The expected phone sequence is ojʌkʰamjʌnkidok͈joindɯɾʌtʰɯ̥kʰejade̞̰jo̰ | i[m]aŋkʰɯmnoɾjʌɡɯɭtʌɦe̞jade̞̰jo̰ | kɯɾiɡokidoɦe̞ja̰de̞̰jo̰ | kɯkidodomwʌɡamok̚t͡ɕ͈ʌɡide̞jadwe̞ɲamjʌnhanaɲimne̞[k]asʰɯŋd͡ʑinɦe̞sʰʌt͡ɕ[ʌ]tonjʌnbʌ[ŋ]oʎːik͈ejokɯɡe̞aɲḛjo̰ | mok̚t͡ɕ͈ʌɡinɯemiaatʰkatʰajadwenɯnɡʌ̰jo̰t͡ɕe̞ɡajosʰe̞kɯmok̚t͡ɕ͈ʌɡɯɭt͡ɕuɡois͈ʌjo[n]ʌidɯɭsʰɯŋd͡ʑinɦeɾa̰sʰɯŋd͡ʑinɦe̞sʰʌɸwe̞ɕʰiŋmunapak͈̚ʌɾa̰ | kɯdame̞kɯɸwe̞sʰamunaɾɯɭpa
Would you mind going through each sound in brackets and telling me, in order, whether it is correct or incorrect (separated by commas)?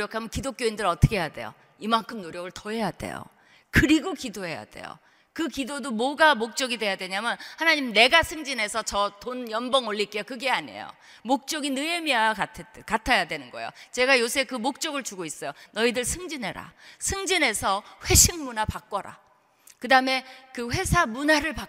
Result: correct, incorrect, correct, correct, correct